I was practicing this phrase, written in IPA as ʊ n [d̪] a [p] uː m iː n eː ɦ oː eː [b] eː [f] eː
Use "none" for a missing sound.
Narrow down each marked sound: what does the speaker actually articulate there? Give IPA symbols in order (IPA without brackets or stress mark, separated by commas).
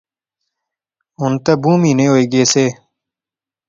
t̪, b, ɡ, s